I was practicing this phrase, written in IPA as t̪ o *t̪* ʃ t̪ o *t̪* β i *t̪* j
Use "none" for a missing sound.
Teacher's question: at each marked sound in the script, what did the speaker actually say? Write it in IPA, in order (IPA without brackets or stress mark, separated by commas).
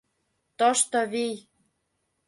none, none, none